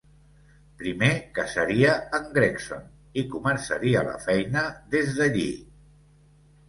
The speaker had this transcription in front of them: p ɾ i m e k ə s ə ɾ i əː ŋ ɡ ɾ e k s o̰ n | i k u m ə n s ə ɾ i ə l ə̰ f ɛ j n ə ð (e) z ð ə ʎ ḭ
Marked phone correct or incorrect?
correct